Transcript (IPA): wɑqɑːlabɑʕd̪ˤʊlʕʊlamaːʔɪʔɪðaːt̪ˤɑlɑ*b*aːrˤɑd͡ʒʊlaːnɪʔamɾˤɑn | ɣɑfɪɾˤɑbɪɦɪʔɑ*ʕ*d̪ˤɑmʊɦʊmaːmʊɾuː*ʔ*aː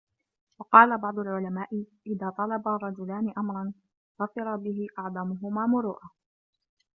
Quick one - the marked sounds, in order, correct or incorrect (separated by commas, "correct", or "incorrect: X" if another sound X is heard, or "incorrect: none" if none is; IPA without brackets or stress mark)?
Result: correct, correct, correct